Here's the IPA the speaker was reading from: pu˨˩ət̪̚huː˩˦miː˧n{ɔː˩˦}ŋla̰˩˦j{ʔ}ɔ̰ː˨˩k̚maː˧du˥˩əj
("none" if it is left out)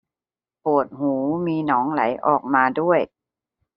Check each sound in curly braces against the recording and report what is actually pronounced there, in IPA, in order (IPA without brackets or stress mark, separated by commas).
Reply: ɔː˩˦, ʔ